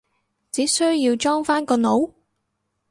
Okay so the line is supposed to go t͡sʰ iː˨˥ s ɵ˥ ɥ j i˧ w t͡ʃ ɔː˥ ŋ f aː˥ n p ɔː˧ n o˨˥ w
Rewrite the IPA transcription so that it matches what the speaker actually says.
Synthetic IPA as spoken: t͡s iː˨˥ s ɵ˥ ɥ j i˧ w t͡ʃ ɔː˥ ŋ f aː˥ n k ɔː˧ n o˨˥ w